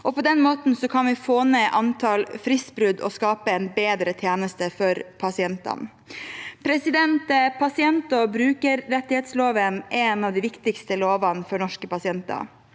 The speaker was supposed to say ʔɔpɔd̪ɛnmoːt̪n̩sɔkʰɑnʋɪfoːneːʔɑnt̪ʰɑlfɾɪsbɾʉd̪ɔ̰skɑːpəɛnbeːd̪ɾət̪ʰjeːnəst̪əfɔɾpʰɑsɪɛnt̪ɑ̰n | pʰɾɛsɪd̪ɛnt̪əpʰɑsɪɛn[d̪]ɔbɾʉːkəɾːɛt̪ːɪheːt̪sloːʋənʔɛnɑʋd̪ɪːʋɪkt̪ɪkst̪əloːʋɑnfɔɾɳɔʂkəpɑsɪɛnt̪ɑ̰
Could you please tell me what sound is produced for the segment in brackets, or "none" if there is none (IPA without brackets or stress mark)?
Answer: t̪